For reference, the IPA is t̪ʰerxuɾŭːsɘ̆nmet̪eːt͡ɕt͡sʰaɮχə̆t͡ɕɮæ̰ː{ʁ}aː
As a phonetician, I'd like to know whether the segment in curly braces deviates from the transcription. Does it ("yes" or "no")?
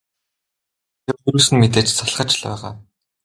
no